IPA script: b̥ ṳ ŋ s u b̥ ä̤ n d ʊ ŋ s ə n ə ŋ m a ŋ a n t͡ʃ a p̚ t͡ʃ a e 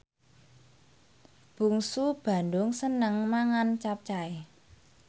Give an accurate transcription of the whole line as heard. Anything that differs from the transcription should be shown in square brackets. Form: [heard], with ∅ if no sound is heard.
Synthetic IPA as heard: b̥ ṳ ŋ s u b̥ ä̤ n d ʊ ŋ s ə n ə ŋ m a ŋ a n t͡ʃ a p̚ t͡ʃ a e